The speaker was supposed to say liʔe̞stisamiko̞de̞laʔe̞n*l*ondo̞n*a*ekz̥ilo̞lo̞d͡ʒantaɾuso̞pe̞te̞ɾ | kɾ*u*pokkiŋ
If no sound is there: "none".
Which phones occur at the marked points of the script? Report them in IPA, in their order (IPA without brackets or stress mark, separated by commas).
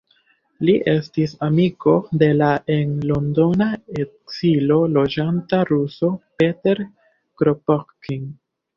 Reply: l, a, o